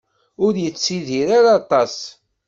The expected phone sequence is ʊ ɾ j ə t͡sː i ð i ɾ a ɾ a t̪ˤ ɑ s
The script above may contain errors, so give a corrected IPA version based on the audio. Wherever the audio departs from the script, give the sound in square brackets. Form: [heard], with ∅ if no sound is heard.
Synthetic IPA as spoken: ʊ ɾ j ə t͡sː i ð i ɾ a ɾ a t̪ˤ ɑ s